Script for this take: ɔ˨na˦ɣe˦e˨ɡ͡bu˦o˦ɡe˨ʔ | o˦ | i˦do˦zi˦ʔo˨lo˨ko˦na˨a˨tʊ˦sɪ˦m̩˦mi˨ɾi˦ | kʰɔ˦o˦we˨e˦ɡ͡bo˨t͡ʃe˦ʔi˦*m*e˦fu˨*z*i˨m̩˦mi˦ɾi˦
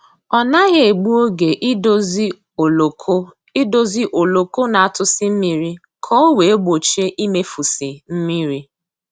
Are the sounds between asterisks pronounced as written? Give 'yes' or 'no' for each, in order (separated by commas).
yes, no